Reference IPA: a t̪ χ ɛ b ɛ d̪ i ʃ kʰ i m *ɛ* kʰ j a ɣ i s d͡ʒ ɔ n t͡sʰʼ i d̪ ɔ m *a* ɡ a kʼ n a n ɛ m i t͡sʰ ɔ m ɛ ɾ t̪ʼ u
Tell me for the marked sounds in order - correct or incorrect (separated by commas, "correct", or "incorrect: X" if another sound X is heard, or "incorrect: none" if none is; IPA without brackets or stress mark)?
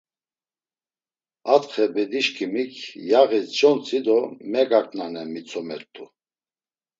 incorrect: i, incorrect: ɛ